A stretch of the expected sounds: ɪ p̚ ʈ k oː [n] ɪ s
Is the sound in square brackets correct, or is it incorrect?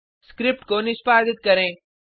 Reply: correct